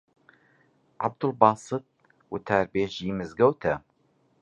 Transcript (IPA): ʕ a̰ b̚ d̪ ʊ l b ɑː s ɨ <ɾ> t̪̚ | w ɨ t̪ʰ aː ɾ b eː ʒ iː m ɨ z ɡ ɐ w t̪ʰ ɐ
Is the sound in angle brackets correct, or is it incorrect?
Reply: incorrect